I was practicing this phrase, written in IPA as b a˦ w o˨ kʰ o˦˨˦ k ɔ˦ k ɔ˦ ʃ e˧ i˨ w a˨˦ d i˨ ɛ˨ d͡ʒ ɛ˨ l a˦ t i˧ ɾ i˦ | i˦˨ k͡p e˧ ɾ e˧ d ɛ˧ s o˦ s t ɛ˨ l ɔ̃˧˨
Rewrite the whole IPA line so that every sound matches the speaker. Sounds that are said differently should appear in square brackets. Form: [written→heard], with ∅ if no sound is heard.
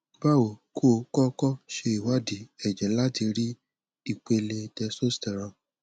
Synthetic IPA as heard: b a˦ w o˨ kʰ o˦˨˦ k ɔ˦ k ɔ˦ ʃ e˧ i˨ w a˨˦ d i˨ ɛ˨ d͡ʒ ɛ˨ l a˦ t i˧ ɾ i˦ | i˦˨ k͡p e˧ [ɾ→l] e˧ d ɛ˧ s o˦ s t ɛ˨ [l→ɾ] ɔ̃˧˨